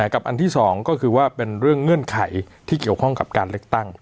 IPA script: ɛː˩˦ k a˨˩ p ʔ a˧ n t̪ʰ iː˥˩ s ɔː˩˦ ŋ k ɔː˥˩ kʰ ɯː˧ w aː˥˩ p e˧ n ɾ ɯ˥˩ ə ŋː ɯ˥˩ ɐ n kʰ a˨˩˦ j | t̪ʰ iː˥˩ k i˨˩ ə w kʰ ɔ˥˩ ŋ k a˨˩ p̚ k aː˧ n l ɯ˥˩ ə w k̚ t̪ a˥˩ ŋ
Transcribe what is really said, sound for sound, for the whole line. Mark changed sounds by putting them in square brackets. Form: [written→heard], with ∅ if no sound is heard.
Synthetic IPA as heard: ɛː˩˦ k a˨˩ p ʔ a˧ n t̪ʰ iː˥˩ s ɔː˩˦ ŋ k ɔː˥˩ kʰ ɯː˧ w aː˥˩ p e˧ n ɾ ɯ˥˩ ə ŋː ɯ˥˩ [ɐ→ə] n kʰ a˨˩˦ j | t̪ʰ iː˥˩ k i˨˩ ə w kʰ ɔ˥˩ ŋ k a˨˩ p̚ k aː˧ n l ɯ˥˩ ə [w→∅] k̚ t̪ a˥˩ ŋ